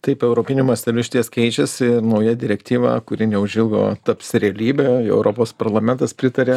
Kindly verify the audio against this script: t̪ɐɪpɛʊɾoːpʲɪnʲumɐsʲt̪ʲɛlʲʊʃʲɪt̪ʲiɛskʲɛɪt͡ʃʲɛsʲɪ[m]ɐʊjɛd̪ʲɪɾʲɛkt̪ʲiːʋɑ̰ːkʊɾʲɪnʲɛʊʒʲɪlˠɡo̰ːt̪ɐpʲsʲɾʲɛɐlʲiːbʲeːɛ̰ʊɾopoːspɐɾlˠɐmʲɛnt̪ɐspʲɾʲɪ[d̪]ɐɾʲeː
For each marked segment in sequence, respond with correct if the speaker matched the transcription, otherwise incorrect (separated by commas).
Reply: incorrect, incorrect